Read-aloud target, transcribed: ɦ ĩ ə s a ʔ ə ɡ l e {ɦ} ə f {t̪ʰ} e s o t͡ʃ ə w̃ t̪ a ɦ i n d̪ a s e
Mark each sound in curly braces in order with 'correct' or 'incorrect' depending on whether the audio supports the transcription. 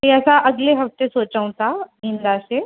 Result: correct, incorrect

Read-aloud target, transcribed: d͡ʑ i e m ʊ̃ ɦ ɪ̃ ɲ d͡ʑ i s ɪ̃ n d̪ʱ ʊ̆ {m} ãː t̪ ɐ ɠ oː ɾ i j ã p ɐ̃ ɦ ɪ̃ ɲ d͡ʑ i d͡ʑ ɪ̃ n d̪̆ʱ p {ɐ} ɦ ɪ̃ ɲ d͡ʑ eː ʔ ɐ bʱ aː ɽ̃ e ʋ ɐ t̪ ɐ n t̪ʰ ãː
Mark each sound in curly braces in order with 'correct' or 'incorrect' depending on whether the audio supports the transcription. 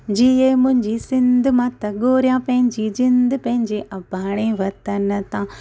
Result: correct, incorrect

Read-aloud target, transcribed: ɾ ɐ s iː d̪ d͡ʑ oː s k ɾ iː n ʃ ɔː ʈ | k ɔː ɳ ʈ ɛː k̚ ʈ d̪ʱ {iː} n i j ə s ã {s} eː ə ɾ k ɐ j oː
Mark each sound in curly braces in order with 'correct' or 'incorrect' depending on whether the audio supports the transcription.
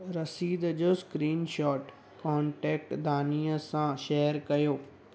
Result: incorrect, incorrect

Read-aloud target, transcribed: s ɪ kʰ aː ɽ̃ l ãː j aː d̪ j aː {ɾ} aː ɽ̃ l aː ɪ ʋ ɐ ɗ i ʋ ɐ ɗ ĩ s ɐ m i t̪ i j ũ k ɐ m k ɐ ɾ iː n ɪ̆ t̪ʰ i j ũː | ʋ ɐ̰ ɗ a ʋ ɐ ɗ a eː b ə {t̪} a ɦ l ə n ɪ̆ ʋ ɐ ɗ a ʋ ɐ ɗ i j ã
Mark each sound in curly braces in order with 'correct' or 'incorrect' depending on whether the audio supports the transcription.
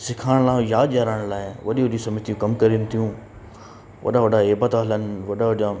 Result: correct, correct

